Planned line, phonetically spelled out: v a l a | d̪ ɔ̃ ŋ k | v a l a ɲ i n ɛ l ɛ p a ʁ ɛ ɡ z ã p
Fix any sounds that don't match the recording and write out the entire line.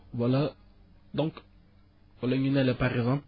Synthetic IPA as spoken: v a l a | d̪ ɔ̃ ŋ k | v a l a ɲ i n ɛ l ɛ p a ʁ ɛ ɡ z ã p